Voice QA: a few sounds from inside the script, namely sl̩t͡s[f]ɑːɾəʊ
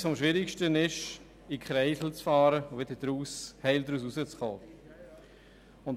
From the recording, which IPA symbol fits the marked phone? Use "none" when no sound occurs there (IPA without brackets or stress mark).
f